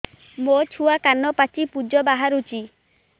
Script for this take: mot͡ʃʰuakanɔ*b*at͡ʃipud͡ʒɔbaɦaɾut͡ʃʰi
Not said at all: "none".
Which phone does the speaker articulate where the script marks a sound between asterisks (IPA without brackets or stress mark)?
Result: p